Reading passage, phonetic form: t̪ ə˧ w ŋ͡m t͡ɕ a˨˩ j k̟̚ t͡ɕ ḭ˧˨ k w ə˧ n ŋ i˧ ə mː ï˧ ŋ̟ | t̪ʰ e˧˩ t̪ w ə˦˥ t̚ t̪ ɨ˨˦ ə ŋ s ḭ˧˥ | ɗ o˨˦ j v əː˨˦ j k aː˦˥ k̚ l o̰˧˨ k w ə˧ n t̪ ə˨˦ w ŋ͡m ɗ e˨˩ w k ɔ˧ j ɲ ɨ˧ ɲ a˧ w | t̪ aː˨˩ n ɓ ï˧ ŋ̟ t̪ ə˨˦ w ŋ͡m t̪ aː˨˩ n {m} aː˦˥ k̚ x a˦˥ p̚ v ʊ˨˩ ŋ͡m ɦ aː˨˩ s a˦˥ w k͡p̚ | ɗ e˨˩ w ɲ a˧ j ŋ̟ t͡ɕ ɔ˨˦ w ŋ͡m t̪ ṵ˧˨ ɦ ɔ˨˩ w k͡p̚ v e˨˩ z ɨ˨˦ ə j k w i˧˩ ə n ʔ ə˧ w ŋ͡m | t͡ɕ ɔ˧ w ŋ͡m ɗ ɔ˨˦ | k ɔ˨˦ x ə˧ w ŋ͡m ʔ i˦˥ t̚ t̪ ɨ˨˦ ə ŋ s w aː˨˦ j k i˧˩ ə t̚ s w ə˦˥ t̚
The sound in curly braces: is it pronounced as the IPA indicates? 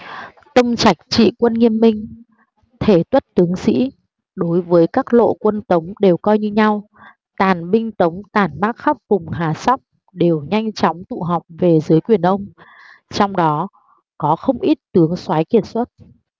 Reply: yes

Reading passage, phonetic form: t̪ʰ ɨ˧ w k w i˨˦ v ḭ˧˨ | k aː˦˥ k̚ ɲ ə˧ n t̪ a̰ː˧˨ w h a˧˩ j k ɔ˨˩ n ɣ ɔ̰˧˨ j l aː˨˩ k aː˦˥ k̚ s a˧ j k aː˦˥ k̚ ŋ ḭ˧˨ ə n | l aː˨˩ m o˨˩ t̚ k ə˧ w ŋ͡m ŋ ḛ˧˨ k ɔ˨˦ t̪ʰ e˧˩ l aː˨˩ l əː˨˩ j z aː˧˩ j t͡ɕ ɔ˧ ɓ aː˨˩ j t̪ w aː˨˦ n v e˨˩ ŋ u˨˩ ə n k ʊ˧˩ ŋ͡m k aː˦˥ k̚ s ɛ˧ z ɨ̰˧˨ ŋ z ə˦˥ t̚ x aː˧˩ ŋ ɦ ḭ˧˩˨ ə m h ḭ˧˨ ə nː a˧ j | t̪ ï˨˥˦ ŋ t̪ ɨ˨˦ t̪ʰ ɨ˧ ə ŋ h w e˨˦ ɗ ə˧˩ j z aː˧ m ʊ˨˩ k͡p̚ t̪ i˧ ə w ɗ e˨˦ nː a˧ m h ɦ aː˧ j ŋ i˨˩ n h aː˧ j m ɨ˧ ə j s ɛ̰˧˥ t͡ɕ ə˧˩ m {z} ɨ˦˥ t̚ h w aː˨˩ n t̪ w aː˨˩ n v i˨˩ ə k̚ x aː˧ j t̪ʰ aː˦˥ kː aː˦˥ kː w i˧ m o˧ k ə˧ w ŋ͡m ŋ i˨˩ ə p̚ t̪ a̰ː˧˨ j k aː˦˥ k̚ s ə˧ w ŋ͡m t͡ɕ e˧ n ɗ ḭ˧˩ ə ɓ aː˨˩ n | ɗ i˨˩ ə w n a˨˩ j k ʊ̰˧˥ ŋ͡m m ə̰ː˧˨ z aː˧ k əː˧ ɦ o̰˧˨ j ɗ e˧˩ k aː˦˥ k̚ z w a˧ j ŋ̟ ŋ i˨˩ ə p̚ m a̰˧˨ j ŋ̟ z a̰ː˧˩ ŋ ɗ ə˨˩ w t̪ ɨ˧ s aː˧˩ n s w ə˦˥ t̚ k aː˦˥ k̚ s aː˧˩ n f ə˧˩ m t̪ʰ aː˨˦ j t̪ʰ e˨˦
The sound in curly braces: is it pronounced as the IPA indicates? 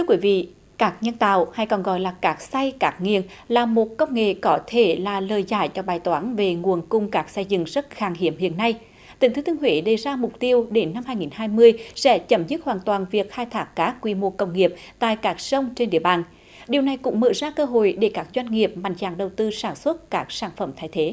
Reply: yes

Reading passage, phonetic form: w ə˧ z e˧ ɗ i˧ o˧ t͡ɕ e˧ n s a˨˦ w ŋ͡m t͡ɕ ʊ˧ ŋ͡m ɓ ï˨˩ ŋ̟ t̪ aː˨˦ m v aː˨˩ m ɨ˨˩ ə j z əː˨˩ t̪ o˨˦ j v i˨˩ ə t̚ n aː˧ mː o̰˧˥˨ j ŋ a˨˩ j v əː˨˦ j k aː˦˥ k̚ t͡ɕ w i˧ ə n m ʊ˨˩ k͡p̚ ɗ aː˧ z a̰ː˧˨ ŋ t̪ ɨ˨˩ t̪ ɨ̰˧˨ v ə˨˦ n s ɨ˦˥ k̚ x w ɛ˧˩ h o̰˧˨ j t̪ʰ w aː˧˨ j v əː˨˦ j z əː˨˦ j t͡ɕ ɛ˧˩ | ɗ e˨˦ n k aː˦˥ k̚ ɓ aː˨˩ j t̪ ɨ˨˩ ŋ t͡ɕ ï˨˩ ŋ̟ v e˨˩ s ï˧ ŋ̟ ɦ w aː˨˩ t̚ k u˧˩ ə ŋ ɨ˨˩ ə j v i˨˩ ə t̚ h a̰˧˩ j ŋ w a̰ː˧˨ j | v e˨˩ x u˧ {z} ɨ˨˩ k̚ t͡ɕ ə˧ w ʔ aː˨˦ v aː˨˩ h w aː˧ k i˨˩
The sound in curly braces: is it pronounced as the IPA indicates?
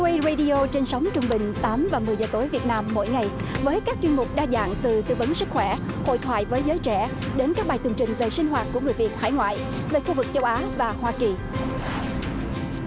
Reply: no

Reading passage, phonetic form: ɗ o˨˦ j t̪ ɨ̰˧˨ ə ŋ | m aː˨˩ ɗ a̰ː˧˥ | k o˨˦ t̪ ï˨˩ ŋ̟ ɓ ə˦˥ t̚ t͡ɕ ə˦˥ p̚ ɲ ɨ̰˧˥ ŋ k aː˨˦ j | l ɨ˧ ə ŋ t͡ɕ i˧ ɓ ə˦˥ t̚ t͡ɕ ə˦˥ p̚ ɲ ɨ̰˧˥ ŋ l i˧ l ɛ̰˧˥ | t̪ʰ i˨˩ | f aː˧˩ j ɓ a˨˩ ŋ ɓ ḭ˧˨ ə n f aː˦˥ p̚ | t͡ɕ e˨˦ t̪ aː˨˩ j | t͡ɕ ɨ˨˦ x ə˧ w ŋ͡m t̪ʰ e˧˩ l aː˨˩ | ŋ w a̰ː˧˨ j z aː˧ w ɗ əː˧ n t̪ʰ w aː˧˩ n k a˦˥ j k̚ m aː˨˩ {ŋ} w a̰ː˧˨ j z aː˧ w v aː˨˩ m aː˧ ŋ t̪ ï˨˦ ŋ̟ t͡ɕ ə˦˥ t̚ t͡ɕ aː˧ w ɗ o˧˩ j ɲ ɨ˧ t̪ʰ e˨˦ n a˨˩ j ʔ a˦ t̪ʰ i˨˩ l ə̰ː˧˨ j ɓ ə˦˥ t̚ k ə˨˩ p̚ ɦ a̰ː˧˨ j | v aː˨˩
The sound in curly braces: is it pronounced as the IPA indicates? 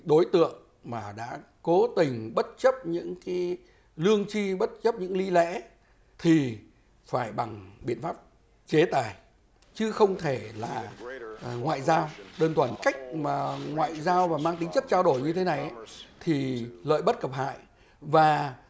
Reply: yes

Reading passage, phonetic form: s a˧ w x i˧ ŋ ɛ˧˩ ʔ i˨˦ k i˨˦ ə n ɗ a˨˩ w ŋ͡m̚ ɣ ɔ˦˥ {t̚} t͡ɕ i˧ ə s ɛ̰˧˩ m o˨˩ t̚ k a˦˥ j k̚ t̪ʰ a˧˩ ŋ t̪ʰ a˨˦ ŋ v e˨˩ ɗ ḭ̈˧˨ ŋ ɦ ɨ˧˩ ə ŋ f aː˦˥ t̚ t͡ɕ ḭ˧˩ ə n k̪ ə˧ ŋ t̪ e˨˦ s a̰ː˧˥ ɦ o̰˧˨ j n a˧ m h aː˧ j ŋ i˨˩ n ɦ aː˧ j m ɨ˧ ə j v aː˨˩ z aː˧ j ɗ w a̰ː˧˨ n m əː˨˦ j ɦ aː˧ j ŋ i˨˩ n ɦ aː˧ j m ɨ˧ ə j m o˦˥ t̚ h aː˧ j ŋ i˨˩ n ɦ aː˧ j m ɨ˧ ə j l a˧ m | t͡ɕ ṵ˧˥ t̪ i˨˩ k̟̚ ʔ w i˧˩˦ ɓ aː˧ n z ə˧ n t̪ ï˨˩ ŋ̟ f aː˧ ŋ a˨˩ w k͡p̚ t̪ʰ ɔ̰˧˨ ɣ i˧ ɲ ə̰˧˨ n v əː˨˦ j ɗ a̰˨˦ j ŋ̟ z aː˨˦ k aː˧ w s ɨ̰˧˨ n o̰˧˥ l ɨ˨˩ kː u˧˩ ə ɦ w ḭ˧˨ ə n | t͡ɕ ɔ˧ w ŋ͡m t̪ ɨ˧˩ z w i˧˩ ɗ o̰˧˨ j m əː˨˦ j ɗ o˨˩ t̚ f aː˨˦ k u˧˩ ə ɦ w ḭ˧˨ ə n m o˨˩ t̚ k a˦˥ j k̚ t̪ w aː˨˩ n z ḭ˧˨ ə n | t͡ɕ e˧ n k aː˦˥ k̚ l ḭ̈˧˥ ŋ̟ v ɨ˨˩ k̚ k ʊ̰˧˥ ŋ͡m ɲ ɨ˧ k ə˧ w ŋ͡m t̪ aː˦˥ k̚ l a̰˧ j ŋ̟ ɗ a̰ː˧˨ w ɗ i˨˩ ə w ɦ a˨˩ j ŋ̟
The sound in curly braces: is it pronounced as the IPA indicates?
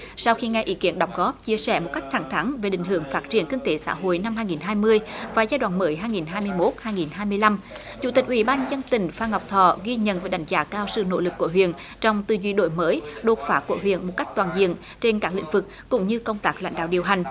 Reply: no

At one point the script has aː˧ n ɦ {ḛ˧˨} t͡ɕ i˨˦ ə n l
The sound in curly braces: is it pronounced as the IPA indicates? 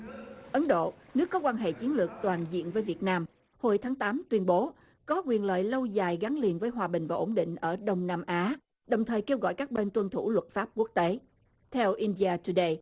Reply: yes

